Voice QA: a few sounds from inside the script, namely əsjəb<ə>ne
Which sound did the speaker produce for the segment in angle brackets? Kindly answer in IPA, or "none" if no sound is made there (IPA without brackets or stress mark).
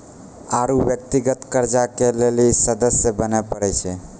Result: ə